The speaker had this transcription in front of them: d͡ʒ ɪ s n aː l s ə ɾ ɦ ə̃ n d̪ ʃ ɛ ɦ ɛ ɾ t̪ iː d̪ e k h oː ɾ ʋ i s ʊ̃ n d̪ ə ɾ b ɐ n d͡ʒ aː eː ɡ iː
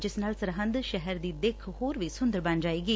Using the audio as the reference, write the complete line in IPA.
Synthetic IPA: d͡ʒ ɪ s n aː l s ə ɾ ɦ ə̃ n d̪ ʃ ɛ ɦ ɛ ɾ d̪ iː d̪ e kʰ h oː ɾ ʋ i s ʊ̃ n d̪ ə ɾ b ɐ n d͡ʒ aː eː ɡ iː